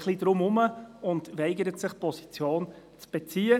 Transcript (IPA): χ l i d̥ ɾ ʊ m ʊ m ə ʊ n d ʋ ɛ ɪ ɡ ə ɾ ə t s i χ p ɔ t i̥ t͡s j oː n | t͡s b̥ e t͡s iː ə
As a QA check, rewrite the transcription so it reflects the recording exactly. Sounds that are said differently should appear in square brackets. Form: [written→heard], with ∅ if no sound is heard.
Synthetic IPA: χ l i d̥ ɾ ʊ m ʊ m ə ʊ n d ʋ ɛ ɪ ɡ ə ɾ ə t s [i→ɪ] χ p ɔ [t→s] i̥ t͡s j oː n | t͡s b̥ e t͡s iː ə